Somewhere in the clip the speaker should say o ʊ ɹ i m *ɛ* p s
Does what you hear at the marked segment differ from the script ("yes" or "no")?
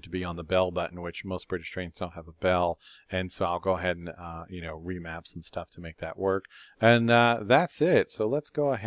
yes